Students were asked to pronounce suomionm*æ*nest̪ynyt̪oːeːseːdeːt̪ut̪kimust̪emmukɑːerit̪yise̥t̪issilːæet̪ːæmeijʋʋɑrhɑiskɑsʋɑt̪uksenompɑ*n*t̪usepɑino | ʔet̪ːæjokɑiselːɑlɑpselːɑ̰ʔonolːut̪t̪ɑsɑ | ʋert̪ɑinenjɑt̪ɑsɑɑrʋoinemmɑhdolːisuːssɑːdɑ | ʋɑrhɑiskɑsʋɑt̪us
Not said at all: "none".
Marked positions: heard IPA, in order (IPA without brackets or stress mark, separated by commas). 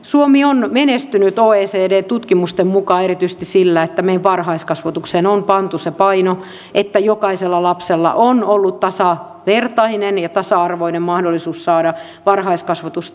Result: e, n